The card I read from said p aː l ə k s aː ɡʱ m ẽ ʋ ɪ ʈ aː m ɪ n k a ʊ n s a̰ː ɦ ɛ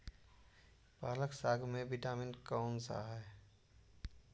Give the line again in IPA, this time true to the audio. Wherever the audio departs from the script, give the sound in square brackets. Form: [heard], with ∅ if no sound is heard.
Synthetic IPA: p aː l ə k s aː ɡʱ m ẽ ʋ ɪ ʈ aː m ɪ n k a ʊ n s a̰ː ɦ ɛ